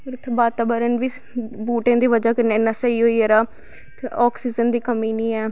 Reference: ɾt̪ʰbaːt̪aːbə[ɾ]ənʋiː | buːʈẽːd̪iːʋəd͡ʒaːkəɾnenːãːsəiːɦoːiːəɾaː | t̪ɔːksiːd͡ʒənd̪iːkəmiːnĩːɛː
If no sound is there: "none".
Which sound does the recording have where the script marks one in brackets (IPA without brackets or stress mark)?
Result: ɾ